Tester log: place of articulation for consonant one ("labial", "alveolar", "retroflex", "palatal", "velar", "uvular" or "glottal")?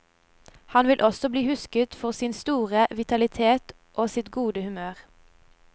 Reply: glottal